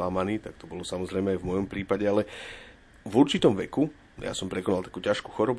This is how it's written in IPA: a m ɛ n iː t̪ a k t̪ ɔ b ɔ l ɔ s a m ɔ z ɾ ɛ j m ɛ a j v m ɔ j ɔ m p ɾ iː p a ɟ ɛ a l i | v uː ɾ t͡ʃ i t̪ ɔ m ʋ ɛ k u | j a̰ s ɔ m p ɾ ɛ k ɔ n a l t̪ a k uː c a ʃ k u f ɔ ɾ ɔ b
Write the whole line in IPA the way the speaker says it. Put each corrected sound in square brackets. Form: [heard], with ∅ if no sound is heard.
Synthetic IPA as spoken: a m [a] n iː t̪ a k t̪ ɔ b ɔ l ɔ s a m ɔ z ɾ ɛ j m ɛ a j v m ɔ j ɔ m p ɾ iː p a ɟ ɛ a l [ɛ] | v [u] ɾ t͡ʃ i t̪ ɔ m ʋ ɛ k u | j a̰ s ɔ m p ɾ ɛ k ɔ n a l t̪ a k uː c a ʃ k u [x] ɔ ɾ ɔ b